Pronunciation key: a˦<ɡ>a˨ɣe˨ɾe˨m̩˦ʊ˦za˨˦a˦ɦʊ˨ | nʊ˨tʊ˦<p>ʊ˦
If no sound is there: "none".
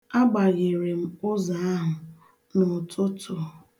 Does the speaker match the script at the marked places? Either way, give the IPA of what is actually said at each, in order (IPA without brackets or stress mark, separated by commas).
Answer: ɡ͡b, t